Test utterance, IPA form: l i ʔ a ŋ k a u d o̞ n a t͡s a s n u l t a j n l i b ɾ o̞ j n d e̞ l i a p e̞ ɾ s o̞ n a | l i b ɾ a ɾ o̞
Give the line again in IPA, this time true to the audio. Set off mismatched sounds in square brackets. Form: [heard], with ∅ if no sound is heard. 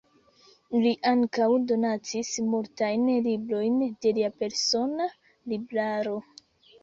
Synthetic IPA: l i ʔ a ŋ k a [w] d o̞ n a t͡s [i] s [m] u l t a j n l i b ɾ o̞ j n d e̞ l i a p e̞ ɾ s o̞ n a | l i b ɾ a ɾ o̞